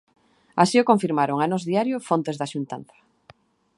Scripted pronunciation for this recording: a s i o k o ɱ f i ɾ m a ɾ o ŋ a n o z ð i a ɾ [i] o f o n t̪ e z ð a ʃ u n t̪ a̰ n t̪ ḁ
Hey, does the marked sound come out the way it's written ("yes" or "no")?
no